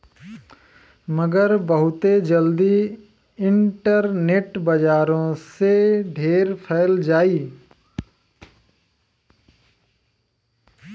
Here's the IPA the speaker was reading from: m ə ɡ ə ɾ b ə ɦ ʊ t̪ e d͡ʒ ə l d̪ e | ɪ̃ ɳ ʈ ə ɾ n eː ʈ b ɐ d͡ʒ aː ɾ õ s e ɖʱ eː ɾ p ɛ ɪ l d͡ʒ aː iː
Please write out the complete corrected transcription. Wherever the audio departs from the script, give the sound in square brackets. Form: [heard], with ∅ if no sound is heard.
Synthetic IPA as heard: m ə ɡ ə ɾ b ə ɦ ʊ t̪ e d͡ʒ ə l d̪ [i] | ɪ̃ ɳ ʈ ə ɾ n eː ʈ b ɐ d͡ʒ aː ɾ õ s e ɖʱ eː ɾ [pʰ] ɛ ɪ l d͡ʒ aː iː